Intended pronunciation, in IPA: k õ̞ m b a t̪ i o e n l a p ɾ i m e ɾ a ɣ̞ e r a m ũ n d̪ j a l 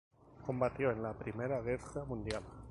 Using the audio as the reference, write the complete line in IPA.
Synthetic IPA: k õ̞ m b a t̪ j o e n l a p ɾ i m e ɾ a ɣ̞ e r a m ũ n d̪ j a l